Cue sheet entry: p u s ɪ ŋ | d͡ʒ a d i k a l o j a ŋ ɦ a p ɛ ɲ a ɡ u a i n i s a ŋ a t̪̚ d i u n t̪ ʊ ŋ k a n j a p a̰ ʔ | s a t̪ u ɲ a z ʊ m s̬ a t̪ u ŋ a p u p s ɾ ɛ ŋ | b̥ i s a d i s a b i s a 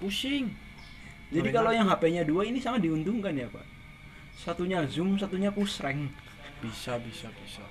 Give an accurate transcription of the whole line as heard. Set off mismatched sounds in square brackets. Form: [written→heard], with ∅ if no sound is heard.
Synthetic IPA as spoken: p u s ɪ ŋ | d͡ʒ a d i k a l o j a ŋ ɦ a p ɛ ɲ a [ɡ→d] u a i n i s a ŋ a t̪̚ d i u n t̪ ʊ ŋ k a n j a p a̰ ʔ | s a t̪ u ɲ a z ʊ m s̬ a t̪ u [ŋ→ɲ] a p u [p→∅] s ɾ ɛ ŋ | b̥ i s a [d→b] i s a b i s a